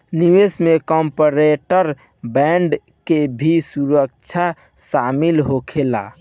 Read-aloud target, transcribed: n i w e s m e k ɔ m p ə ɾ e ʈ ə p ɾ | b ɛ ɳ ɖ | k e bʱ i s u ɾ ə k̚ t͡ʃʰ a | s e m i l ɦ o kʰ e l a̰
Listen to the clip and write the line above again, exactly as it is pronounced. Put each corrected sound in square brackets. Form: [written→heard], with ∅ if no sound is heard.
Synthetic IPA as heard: n i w e s m e k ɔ m p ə ɾ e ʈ ə [p→∅] ɾ | b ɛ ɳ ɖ | k e bʱ i s u ɾ ə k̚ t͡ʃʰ a | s [e→a] m i l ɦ o kʰ e l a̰

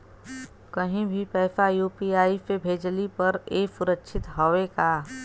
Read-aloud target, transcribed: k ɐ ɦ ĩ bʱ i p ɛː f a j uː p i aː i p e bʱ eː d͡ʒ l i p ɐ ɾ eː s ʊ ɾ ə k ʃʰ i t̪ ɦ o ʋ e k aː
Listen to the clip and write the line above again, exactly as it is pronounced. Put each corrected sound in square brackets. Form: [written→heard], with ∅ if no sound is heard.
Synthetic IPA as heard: k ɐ ɦ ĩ bʱ i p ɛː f a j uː p i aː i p e bʱ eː d͡ʒ l i p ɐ ɾ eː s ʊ ɾ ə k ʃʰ [i→ɪ] t̪ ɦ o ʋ e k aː

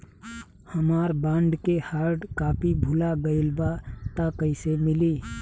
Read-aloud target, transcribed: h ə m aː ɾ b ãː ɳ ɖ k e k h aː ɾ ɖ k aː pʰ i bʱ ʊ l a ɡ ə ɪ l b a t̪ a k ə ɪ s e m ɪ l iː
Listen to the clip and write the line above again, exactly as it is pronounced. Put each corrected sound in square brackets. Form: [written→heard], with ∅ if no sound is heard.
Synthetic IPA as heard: h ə m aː ɾ b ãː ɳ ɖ k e [k→∅] h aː ɾ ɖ k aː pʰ i bʱ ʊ l a ɡ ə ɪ l b a t̪ a k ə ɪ s e m ɪ l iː

